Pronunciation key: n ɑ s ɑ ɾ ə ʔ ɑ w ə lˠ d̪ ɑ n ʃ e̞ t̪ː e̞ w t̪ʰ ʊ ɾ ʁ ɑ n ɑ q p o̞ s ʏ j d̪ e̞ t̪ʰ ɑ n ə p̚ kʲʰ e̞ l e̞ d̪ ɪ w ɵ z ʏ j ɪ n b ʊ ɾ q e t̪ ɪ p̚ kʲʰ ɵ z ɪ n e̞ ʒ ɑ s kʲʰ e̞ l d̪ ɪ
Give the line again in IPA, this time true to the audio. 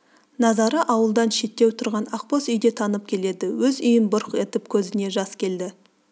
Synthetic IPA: n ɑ z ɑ ɾ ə ʔ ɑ w ə lˠ d̪ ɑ n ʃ e̞ t̪ː e̞ w t̪ʰ ʊ ɾ ʁ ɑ n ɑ q p o̞ s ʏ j d̪ e̞ t̪ʰ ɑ n ə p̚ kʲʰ e̞ l e̞ d̪ ɪ w ɵ z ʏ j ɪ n b ʊ ɾ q e t̪ ɪ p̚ kʲʰ ɵ z ɪ n e̞ ʒ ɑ s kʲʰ e̞ l d̪ ɪ

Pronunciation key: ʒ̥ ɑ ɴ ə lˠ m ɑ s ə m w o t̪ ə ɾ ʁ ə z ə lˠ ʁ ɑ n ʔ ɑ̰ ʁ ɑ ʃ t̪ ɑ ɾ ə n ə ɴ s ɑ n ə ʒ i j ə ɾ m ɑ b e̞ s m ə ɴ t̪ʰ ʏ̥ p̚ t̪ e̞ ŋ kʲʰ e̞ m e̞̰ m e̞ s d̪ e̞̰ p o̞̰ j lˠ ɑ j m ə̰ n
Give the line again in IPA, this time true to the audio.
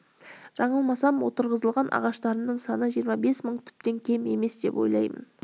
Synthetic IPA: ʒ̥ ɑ ɴ ə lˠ m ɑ s ɑ m w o t̪ ə ɾ ʁ ə z ə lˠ ʁ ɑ n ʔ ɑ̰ ʁ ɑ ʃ t̪ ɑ ɾ ə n ə ɴ s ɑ n ə ʒ i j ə ɾ m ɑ b e̞ s m ə ɴ t̪ʰ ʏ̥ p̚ t̪ e̞ ŋ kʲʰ e̞ m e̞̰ m e̞ s d̪ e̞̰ p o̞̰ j lˠ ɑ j m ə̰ n

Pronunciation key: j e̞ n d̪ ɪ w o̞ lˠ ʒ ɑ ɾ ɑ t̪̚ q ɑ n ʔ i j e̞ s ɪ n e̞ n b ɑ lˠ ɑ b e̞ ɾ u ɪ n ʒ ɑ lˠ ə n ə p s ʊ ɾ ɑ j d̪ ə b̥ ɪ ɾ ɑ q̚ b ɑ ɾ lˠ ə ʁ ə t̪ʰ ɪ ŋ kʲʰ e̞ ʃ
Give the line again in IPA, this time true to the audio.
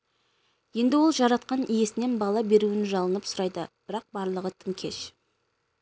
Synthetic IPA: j e̞ n d̪ ɪ w o̞ lˠ ʒ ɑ ɾ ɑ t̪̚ q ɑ n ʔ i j e̞ s ɪ n e̞ n b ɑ lˠ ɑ b e̞ ɾ u ɪ n ʒ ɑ lˠ ə n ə p s ʊ ɾ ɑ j d̪ ə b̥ ɪ ɾ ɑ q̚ b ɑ ɾ lˠ ə ʁ ə t̪ʰ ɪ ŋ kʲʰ e̞ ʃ

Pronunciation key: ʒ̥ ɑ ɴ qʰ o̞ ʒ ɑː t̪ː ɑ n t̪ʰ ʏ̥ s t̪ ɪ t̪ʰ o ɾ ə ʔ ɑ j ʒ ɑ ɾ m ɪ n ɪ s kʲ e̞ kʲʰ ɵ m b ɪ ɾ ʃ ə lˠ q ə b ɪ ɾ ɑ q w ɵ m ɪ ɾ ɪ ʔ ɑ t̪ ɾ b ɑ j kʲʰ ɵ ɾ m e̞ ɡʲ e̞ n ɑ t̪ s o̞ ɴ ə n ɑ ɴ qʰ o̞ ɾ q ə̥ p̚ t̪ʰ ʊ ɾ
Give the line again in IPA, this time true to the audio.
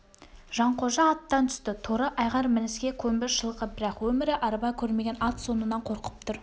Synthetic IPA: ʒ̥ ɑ ɴ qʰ o̞ ʒ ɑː t̪ː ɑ n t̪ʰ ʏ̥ s t̪ ɪ t̪ʰ o ɾ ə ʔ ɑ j ʁ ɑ ɾ m ɪ n ɪ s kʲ e̞ kʲʰ ɵ m b ɪ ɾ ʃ ə lˠ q ə b ɪ ɾ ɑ q w ɵ m ɪ ɾ ɪ ʔ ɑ ɾ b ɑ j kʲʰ ɵ ɾ m e̞ ɡʲ e̞ n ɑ t̪ s o̞ n ə n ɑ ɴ qʰ o̞ ɾ q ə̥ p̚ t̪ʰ ʊ ɾ

